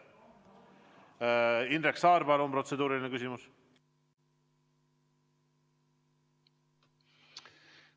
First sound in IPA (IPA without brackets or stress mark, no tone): i